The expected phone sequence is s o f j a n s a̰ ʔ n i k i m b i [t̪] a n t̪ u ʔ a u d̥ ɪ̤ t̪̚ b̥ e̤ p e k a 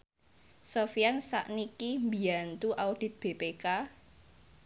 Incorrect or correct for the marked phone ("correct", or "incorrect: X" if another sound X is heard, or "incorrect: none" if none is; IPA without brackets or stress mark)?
incorrect: none